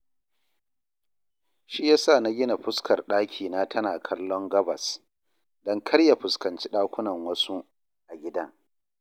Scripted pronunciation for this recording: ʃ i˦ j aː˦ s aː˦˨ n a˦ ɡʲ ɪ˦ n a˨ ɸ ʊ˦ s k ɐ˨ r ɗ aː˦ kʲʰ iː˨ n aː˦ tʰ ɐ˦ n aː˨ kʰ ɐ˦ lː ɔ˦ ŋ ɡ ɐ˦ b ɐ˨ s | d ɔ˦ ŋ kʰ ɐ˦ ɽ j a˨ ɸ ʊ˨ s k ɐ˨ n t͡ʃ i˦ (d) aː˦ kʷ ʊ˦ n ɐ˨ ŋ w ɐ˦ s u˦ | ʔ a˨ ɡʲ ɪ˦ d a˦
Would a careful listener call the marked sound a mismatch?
yes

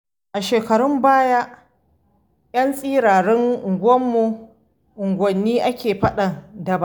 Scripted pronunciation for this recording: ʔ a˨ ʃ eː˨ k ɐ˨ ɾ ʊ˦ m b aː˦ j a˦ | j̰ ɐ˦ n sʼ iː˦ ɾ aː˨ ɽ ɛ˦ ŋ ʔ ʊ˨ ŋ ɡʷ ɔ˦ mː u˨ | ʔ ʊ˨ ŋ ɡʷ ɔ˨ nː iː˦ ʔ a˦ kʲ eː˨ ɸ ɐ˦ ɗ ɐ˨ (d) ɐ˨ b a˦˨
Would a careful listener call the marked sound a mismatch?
no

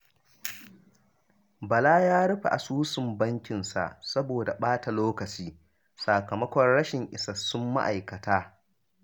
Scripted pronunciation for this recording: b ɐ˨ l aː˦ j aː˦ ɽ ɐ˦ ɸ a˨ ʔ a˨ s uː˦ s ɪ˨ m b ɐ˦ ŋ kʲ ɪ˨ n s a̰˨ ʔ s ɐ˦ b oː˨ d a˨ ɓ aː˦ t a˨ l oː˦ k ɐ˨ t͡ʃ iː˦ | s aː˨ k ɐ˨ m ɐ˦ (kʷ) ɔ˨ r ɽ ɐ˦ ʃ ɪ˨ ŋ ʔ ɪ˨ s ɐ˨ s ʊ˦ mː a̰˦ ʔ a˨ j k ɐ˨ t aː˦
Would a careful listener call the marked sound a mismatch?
no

